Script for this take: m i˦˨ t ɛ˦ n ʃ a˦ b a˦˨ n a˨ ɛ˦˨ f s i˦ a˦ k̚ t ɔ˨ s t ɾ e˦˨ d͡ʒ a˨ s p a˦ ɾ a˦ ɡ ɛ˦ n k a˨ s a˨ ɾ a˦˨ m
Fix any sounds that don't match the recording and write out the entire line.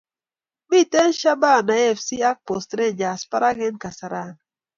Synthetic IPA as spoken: m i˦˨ t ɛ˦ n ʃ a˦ b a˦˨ n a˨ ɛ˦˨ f s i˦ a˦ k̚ p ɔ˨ s t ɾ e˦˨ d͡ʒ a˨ s p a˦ ɾ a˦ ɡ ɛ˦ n k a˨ s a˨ ɾ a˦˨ n